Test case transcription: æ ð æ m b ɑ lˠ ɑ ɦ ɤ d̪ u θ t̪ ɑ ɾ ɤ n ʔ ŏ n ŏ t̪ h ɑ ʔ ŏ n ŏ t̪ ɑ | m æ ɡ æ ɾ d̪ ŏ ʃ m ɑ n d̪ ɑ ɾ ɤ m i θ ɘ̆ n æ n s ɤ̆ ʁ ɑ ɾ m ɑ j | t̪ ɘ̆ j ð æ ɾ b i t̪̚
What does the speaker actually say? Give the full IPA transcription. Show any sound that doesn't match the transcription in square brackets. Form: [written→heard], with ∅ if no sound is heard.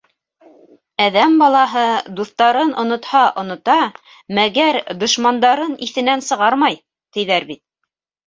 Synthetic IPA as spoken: æ ð æ m b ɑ lˠ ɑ ɦ ɤ d̪ u θ t̪ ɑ ɾ ɤ n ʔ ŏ n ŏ t̪ h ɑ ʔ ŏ n ŏ t̪ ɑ | m æ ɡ æ ɾ d̪ ŏ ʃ m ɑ n d̪ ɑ ɾ ɤ [m→n] i θ ɘ̆ n æ n s ɤ̆ ʁ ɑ ɾ m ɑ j | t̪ ɘ̆ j ð æ ɾ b i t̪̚

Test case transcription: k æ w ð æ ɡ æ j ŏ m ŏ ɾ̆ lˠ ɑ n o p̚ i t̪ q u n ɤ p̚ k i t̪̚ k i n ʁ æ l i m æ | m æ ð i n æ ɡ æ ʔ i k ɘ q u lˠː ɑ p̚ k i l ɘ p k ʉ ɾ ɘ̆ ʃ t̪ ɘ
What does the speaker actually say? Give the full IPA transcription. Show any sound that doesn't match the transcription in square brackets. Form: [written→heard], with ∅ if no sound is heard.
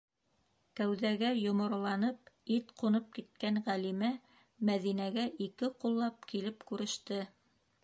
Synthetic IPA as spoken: k æ w ð æ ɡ æ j ŏ m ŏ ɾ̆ lˠ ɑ n [o→ɤ] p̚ i t̪ q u n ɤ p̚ k i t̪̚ k [i→æ] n ʁ æ l i m æ | m æ ð i n æ ɡ æ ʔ i k ɘ q u lˠː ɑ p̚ k i l ɘ p k ʉ ɾ ɘ̆ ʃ t̪ ɘ

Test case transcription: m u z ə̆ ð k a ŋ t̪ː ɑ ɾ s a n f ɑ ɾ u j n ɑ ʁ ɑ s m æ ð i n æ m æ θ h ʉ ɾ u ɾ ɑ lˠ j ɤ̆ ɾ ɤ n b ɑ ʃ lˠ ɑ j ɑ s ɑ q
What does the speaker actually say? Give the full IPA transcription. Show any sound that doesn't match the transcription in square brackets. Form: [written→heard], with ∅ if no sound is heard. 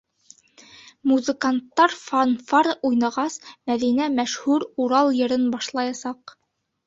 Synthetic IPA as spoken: m u z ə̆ [ð→∅] k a [ŋ→n] t̪ː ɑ ɾ [s→f] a n f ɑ ɾ u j n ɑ ʁ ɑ s m æ ð i n æ m æ [θ→ʃ] h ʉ ɾ u ɾ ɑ lˠ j ɤ̆ ɾ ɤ n b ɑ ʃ lˠ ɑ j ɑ s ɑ q

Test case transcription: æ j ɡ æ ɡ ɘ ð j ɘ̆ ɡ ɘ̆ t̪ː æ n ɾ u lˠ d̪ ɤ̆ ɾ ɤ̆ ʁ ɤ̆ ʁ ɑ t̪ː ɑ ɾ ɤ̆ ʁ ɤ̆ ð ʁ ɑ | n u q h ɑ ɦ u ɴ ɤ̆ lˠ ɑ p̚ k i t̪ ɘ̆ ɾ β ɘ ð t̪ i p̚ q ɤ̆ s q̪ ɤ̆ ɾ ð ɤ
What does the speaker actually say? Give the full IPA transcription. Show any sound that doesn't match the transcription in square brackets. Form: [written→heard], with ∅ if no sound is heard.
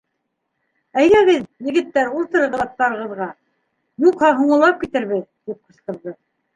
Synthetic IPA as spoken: æ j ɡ æ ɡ ɘ ð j ɘ̆ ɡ ɘ̆ t̪ː æ [n→∅] ɾ u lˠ [d̪→t̪] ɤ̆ ɾ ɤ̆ ʁ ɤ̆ [ʁ→ð] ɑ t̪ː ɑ ɾ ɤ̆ ʁ ɤ̆ ð ʁ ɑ | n u q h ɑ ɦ u ɴ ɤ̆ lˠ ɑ p̚ k i t̪ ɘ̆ ɾ β ɘ ð t̪ i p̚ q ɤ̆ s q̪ ɤ̆ ɾ ð ɤ

